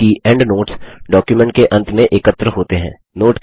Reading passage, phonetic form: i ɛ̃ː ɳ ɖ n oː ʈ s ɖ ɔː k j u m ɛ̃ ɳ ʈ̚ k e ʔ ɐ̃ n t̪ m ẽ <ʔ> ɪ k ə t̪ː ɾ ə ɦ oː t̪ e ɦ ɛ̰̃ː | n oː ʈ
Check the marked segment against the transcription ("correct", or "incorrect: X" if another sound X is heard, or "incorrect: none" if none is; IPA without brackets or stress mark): correct